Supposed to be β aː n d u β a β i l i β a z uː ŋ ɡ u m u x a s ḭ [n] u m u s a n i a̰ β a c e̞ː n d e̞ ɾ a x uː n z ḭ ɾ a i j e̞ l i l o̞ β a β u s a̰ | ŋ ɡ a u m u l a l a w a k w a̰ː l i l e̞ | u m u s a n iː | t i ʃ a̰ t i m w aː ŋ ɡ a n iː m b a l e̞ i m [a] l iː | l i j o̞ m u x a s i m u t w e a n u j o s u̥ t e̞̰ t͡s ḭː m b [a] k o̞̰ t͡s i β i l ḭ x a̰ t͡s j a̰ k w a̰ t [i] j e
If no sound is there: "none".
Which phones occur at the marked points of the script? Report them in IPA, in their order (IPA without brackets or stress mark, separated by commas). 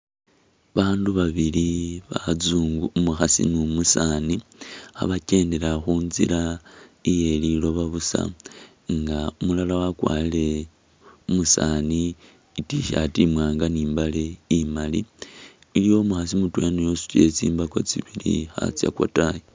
n, a, a, a